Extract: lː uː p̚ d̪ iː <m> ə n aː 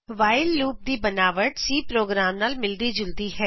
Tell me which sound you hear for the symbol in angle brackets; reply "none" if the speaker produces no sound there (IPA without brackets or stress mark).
b